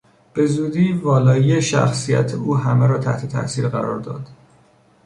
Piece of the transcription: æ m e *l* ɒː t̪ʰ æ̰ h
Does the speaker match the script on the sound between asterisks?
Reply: no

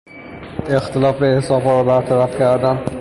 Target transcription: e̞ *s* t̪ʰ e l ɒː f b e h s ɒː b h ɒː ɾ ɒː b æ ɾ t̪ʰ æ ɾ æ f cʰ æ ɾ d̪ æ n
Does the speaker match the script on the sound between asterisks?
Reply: no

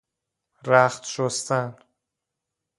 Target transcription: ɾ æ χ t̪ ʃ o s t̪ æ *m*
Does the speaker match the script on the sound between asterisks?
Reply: no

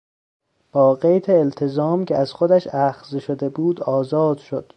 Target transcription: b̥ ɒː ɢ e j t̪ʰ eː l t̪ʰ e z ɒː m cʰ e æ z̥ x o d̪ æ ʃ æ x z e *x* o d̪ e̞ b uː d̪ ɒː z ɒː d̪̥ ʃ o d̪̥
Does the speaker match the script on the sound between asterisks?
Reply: no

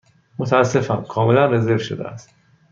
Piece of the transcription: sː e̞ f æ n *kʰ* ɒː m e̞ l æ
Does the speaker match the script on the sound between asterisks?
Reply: yes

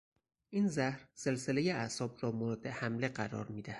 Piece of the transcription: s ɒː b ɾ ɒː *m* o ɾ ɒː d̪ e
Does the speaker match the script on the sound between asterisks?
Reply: yes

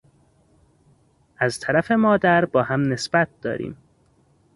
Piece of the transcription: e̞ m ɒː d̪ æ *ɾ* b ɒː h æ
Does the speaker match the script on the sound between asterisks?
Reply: yes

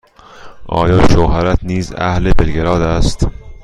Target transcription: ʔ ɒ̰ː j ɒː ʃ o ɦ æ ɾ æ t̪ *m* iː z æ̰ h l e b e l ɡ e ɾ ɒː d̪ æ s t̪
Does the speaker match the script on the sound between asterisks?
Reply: no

